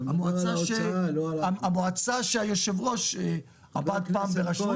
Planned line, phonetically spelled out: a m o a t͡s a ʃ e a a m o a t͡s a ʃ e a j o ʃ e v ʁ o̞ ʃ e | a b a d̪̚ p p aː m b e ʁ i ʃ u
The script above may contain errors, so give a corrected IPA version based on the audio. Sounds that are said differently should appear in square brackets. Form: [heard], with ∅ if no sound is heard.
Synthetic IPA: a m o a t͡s a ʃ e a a m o a t͡s a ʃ e a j o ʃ e v ʁ o̞ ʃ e | a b a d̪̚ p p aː m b e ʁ [a] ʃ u

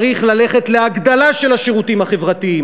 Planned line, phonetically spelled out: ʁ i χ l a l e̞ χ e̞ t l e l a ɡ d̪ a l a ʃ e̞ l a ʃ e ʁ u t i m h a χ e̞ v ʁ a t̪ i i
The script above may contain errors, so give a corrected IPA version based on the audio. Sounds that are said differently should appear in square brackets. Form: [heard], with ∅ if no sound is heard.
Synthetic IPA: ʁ i χ l a l e̞ χ e̞ t l e [∅] a ɡ d̪ a l a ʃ e̞ l a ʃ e ʁ u t i m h a χ e̞ v ʁ a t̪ i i

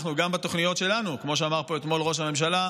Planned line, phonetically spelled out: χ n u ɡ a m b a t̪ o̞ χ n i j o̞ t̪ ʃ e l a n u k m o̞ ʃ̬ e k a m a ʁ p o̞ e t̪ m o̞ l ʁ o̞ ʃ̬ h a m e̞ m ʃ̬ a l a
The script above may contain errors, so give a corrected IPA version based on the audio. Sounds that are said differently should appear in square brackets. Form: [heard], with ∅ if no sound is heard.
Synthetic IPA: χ n u ɡ a m b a t̪ o̞ χ n i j o̞ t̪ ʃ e l a n u k m o̞ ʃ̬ e [∅] a m a ʁ p o̞ e t̪ m o̞ l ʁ o̞ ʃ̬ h a m e̞ m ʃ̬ a l a

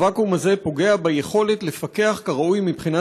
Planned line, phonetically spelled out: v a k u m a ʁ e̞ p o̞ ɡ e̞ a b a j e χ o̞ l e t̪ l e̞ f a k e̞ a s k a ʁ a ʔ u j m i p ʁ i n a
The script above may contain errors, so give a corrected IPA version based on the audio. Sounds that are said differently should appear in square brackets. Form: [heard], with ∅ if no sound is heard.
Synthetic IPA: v a k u m a [z] e̞ p o̞ ɡ e̞ a b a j e χ o̞ l e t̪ l e̞ f a k e̞ a [χ] k a ʁ a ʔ u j m i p [χ] i n a

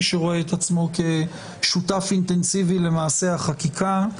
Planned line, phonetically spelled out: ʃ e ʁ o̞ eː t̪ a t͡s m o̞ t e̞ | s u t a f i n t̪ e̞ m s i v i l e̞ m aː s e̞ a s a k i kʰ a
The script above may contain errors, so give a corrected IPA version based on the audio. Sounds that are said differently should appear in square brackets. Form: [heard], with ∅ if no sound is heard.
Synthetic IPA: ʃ e ʁ o̞ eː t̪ a t͡s m o̞ [k] e̞ | [ʃ] u t a f i n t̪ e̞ [n] s i v i l e̞ m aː s e̞ a [χ] a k i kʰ a

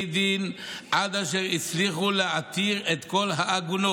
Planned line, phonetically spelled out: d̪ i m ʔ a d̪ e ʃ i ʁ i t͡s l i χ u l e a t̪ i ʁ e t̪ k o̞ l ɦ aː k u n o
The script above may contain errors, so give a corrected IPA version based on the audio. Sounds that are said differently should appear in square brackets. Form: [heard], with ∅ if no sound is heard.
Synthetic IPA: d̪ i [n] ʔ a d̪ [a] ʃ [e] ʁ i t͡s l i χ u l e a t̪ i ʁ e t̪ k o̞ l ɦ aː [ɡ] u n o

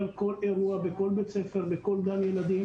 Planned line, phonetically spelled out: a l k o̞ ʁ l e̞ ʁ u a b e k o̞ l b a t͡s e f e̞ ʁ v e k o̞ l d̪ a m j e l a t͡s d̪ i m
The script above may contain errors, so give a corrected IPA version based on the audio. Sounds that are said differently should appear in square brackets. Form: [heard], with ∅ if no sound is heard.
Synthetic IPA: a l k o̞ [∅] l e̞ ʁ u a b e k o̞ l b [e] t͡s e f e̞ ʁ [b] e k o̞ l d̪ a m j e l a [∅] d̪ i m

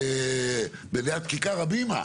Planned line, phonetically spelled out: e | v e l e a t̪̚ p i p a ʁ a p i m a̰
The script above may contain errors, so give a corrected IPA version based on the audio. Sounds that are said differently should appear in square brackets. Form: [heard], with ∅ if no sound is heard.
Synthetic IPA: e | [b] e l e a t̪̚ [k] i [k] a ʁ a [b] i m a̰

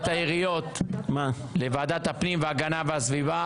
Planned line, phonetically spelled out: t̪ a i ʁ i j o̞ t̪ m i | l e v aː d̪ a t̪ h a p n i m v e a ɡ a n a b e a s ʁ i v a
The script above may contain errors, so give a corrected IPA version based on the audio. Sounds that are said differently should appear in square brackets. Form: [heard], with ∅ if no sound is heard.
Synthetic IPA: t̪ a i ʁ i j o̞ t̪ m [a] | l e v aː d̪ a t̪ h a p n i m v e a ɡ a n a [v] e a s [v] i v a

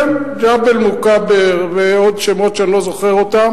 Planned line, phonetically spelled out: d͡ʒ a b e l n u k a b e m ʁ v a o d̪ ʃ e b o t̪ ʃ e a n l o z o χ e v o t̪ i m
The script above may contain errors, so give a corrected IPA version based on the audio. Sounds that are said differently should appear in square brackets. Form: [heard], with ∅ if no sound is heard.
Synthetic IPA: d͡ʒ a b e l [m] u k a b e [∅] ʁ v [e] o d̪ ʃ e [m] o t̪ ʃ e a n l o z o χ e [ʁ] o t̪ [a] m

